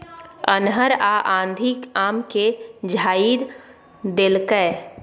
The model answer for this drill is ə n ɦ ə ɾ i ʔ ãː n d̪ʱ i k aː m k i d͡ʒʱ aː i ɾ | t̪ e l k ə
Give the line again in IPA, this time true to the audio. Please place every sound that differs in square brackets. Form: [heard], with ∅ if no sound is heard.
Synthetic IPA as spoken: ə n ɦ ə ɾ [a] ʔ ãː n d̪ʱ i k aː m k [e] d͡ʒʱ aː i ɾ | [d̪] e l k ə